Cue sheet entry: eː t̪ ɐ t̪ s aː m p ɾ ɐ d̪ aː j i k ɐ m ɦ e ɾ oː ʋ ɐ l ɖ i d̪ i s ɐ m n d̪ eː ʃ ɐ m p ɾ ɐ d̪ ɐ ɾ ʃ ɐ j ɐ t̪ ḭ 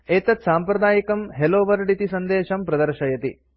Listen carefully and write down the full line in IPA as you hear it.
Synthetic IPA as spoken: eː t̪ ɐ t̪ s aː m p ɾ ɐ d̪ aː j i k ɐ m ɦ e l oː ʋ ɐ ɾ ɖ i t̪ i s ɐ n d̪ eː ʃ ɐ m p ɾ ɐ d̪ ɐ ɾ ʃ ɐ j ɐ t̪ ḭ